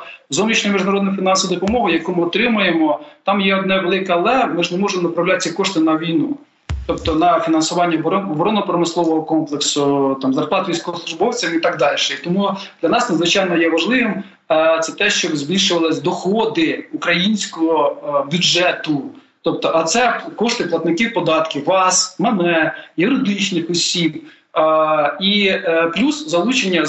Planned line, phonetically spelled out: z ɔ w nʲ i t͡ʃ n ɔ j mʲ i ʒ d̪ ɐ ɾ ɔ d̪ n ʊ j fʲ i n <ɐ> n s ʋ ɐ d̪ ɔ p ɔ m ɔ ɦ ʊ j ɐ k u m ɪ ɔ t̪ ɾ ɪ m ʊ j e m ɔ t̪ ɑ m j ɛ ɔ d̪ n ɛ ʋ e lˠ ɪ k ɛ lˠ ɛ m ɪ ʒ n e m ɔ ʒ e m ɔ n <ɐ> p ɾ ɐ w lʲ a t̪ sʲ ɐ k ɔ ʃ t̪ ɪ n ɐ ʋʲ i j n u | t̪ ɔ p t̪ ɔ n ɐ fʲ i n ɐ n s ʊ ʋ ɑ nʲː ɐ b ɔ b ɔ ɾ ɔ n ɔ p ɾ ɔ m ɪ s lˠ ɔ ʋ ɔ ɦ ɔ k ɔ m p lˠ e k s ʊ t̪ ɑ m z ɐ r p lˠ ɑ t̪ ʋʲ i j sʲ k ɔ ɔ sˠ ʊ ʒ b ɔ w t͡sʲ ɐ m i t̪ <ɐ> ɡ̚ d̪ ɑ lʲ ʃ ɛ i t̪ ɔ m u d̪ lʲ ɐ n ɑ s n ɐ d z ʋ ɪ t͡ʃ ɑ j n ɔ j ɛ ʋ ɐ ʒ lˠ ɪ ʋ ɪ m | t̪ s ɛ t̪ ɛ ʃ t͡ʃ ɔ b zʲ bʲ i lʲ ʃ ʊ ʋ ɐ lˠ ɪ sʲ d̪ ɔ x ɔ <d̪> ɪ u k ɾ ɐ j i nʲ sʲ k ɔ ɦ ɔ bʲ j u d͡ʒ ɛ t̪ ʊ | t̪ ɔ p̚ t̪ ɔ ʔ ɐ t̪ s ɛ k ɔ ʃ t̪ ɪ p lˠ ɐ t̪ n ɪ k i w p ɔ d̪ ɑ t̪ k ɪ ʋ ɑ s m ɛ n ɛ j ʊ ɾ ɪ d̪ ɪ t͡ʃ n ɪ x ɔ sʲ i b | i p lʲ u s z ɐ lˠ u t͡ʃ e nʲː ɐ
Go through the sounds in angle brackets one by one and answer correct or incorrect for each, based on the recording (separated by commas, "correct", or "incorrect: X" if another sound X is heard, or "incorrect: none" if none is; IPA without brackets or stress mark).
incorrect: ɑ, correct, incorrect: ɑ, correct